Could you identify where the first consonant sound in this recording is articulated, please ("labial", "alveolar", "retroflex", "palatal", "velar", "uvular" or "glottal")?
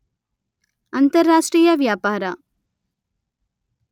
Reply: alveolar